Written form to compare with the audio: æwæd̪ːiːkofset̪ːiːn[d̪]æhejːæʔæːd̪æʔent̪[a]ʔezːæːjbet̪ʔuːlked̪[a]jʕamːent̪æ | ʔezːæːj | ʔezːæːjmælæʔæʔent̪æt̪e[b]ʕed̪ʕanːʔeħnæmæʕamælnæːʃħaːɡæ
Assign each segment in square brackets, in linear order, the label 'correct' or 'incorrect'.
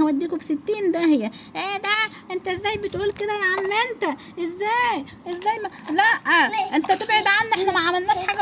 correct, incorrect: æ, incorrect: æ, correct

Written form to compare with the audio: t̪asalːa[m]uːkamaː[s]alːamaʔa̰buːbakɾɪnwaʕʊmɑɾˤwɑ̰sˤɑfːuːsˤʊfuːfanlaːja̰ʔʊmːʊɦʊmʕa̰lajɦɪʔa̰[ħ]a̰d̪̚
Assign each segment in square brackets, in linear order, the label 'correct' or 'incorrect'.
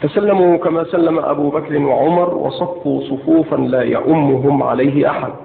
correct, correct, correct

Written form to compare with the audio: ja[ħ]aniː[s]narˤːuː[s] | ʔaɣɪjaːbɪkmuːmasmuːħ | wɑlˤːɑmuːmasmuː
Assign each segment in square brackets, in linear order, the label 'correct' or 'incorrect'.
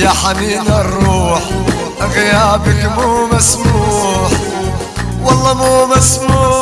correct, incorrect: none, incorrect: ħ

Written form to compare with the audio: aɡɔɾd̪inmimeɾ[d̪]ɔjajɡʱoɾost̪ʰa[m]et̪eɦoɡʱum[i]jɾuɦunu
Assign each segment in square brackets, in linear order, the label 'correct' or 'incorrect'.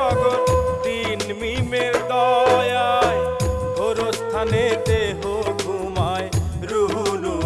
correct, incorrect: n, incorrect: a

